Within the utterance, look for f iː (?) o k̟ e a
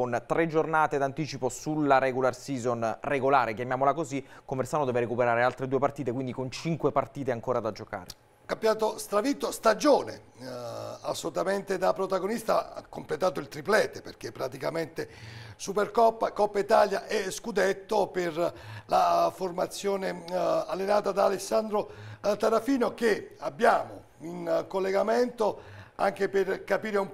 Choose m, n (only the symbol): n